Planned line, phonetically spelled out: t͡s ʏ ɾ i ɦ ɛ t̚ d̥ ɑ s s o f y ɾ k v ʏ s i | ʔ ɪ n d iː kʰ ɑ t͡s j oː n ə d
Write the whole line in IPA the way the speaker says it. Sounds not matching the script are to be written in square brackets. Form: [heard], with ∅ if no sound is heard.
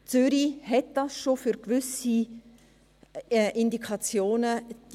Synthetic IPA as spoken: t͡s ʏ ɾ i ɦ ɛ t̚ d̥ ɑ s [ʃ] o f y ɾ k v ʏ s i | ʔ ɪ n d [i] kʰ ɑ t͡s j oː n ə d